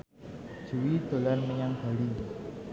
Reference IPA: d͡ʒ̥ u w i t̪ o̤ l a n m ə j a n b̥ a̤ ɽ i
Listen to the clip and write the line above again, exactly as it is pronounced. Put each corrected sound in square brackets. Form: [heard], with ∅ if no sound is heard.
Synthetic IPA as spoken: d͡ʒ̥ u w i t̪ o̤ l a n m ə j a [ŋ] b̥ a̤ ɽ i